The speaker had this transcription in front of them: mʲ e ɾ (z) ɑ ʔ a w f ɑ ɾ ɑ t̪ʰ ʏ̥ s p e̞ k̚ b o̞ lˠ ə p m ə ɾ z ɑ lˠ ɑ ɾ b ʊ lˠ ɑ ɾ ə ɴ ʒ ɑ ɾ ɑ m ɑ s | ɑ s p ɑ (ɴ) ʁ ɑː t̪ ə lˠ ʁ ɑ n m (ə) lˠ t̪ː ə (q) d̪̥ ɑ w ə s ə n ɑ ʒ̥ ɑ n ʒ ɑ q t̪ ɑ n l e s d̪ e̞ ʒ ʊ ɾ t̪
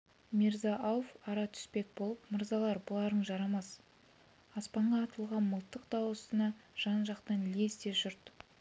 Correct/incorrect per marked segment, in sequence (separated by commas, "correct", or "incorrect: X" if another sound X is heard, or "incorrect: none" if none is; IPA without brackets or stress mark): correct, correct, correct, correct